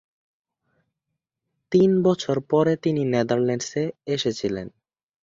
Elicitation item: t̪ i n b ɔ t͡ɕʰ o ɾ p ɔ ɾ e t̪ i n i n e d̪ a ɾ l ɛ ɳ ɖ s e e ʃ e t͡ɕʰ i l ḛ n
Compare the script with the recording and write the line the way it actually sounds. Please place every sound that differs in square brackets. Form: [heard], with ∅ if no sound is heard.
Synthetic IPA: t̪ i n b ɔ t͡ɕʰ o ɾ p ɔ ɾ e t̪ i n i n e d̪ a ɾ l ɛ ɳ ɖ s e e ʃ e t͡ɕʰ i l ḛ n